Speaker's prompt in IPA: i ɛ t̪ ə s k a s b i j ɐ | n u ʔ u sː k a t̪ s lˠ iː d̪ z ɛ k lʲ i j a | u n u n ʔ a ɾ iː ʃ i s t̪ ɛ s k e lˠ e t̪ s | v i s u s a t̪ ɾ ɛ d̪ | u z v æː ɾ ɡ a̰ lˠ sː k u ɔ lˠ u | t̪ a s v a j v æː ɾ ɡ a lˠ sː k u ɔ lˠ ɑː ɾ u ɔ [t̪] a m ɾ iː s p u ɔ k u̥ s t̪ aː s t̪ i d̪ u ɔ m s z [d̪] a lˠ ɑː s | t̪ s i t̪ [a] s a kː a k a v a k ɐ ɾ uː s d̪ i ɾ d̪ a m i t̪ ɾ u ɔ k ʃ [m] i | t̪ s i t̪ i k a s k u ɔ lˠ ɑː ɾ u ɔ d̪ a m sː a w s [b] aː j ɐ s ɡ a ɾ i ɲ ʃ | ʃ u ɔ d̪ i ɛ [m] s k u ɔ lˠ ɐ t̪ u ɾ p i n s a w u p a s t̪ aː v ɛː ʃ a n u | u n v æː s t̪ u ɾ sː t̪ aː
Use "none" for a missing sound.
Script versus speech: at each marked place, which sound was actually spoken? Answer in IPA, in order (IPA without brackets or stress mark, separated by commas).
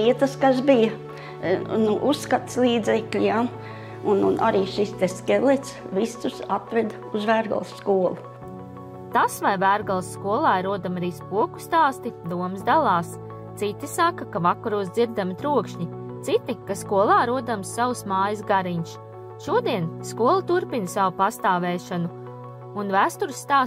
d̪, d̪, i, ɲ, m, n